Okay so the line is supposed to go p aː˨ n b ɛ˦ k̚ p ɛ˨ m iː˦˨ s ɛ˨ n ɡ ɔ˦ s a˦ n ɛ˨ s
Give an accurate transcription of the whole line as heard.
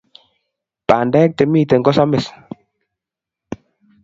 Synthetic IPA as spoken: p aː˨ n d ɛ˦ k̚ t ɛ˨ m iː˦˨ t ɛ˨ ŋ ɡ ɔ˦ s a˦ m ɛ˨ s